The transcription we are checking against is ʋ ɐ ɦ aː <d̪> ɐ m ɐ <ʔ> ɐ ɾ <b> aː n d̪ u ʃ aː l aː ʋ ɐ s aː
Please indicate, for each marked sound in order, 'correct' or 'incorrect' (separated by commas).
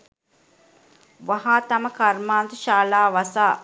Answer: incorrect, incorrect, incorrect